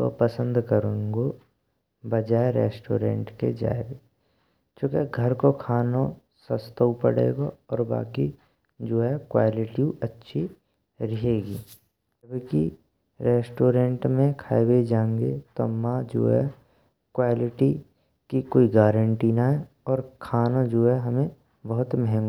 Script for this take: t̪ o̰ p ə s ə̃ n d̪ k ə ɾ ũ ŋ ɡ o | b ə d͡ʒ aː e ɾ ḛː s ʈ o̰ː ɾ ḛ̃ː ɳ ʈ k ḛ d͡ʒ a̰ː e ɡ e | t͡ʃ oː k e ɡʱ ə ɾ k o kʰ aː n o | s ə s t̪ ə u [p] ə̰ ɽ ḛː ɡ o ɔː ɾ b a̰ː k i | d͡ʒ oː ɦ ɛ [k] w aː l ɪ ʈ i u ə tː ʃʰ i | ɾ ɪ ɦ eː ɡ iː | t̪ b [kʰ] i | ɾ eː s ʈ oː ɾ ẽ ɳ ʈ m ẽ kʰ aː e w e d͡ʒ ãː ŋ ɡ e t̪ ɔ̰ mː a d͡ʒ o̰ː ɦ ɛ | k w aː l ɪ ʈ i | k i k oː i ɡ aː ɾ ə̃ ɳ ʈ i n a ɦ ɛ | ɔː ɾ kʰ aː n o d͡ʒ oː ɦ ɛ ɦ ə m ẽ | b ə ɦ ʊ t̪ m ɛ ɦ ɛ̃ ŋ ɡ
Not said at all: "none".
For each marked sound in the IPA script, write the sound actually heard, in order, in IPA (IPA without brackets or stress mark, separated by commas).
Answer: p, k, k